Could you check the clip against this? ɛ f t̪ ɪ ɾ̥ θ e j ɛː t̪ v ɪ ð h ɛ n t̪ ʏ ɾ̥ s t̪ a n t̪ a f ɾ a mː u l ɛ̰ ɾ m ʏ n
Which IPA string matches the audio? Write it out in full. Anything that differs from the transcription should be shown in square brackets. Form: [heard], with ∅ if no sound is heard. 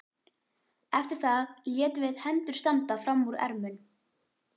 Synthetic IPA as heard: ɛ f t̪ ɪ ɾ̥ θ [a] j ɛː t̪ v ɪ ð h ɛ n t̪ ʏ ɾ̥ s t̪ a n t̪ a f ɾ a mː u [ɾ] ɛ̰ ɾ m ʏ n